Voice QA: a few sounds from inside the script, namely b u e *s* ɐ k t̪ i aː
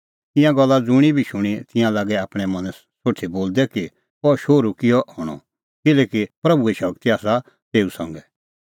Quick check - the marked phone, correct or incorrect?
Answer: incorrect: ʃ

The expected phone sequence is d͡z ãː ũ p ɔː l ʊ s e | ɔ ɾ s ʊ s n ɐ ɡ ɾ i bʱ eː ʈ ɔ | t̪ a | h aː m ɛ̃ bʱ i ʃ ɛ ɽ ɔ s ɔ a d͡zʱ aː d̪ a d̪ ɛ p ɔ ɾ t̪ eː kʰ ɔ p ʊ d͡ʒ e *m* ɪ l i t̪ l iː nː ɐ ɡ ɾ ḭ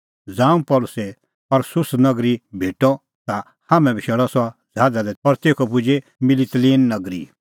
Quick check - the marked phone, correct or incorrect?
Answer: correct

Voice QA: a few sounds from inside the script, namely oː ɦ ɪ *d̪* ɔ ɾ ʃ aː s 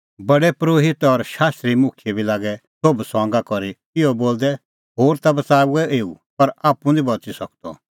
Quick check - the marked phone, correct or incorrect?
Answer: incorrect: t̪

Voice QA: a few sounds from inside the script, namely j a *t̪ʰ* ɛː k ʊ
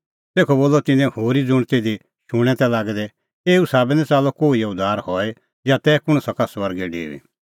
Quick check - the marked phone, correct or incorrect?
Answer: incorrect: t̪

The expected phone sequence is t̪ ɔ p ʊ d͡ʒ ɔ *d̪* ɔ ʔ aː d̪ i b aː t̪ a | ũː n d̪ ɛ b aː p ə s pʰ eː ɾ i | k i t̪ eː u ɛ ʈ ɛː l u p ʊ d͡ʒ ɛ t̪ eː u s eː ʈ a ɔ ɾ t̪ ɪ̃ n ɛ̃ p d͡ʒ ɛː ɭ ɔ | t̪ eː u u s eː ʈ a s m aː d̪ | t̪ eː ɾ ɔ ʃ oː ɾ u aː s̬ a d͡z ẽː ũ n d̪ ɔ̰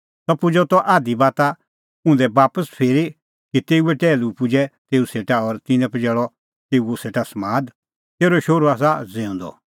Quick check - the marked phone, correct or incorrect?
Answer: incorrect: t̪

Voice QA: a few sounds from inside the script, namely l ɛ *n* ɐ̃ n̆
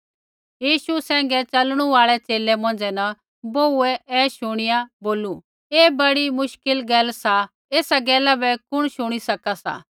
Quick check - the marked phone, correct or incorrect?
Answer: incorrect: m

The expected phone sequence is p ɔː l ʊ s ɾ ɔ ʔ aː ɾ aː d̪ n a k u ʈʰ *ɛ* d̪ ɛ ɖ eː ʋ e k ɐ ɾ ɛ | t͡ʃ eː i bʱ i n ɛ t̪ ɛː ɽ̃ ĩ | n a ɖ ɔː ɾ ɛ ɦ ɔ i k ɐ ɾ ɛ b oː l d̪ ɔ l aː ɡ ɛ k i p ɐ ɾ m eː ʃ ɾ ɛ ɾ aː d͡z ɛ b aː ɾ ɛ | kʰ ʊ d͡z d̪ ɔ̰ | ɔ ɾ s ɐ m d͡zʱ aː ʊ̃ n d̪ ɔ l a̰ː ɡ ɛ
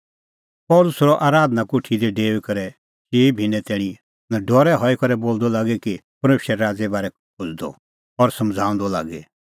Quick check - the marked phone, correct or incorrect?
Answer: incorrect: i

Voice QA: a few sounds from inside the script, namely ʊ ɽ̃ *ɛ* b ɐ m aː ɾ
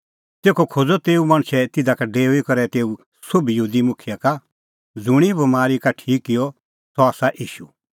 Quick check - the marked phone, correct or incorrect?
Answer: incorrect: i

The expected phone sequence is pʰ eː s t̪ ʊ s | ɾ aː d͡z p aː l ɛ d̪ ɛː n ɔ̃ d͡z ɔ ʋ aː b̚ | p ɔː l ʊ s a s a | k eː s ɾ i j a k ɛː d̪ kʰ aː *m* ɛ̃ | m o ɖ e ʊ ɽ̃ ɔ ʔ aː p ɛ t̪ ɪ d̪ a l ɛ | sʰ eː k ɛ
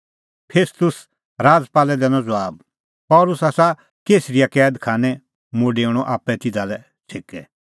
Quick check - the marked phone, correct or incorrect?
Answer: incorrect: n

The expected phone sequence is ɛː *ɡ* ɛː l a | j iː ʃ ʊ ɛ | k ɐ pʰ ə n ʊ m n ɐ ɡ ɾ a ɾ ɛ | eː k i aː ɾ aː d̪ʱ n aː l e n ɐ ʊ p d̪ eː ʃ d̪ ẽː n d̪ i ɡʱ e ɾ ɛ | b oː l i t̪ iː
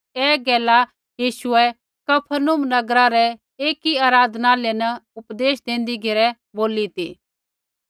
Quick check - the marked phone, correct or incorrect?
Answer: correct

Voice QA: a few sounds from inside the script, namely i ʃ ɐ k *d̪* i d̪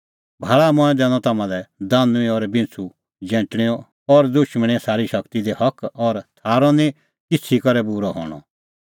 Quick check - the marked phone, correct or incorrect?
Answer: incorrect: t̪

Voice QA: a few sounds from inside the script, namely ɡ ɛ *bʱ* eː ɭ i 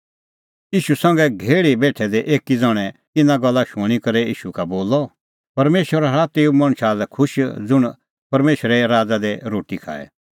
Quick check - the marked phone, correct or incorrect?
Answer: incorrect: ɡʱ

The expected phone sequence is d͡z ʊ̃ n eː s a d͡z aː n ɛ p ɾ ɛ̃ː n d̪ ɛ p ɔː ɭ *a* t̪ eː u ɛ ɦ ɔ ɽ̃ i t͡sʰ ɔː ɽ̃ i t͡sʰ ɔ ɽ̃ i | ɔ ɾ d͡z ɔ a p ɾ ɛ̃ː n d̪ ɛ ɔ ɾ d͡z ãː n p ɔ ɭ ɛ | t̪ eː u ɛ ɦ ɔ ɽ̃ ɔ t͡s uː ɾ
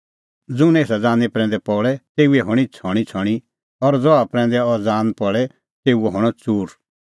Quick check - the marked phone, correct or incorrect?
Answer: incorrect: ɛ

